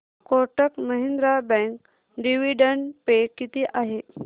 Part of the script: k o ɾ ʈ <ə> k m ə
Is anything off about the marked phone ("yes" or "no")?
no